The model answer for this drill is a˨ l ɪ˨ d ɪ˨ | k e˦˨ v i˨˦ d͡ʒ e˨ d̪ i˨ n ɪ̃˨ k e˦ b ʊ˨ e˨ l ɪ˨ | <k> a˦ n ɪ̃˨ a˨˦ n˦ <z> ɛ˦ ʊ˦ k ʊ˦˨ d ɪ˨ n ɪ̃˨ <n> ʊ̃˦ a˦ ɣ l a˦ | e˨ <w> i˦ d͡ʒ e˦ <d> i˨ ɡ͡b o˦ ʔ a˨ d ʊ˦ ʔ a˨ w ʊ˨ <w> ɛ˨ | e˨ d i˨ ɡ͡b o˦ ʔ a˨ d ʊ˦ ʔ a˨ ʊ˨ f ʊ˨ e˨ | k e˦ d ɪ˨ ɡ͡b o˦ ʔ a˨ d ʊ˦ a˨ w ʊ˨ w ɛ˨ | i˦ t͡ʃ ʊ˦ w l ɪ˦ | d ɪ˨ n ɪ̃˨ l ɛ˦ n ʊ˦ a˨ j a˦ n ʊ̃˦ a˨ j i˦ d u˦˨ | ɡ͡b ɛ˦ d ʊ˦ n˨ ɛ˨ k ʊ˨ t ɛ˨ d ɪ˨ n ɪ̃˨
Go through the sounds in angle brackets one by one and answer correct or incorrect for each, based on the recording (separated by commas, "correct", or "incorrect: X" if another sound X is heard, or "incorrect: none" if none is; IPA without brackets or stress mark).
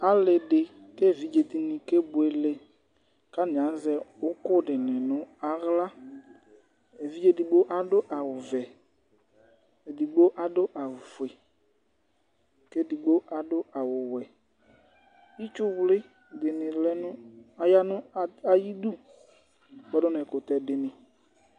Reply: correct, correct, correct, incorrect: v, correct, incorrect: v